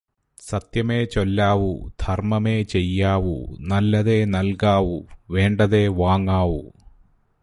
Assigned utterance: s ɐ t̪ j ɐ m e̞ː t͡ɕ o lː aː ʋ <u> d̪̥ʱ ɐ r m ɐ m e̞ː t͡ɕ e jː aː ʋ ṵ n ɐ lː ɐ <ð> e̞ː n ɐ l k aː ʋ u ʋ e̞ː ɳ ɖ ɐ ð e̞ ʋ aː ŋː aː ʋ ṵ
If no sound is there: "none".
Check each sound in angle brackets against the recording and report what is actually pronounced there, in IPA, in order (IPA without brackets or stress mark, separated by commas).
u, ð